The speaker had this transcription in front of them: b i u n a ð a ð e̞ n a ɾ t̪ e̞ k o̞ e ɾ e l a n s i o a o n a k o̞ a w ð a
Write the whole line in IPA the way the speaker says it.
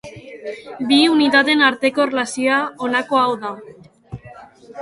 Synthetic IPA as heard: b i u n i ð a ð e̞ n a ɾ t̪ e̞ k o̞ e r e l a s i o a o n a k o̞ a w ð a